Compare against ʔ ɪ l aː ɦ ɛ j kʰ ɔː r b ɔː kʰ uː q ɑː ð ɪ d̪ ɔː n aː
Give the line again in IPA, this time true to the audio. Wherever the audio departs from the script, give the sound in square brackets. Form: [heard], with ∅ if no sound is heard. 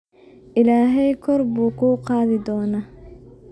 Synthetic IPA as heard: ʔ ɪ l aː ɦ ɛ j kʰ [ɔ] r b [uː] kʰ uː q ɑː ð ɪ d̪ ɔː n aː